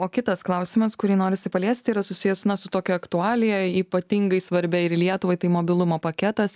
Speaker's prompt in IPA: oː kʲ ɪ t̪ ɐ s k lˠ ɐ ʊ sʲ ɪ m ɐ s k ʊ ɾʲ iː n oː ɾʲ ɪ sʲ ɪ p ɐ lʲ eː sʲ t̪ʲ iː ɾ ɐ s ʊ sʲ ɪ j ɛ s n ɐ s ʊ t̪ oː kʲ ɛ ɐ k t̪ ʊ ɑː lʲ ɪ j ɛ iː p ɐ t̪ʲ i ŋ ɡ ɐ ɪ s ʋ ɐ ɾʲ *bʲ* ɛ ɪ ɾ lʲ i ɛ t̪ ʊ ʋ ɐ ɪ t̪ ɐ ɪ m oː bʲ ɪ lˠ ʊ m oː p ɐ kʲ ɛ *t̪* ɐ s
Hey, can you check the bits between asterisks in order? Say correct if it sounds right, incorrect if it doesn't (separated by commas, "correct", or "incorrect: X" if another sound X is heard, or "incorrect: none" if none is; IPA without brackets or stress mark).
correct, correct